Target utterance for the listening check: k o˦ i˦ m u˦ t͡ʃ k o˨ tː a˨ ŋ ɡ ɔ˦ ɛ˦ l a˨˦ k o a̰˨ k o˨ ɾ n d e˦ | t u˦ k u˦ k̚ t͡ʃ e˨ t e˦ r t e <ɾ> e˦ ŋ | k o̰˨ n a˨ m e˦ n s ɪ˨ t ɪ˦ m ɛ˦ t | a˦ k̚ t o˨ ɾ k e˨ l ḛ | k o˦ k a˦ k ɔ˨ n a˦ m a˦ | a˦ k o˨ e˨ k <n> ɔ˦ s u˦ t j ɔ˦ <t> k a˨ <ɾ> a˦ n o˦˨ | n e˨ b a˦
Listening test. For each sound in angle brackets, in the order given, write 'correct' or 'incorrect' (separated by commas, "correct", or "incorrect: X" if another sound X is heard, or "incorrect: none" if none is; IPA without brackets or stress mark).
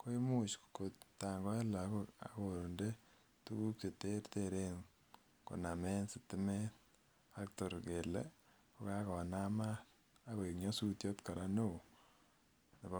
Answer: correct, incorrect: ɲ, correct, correct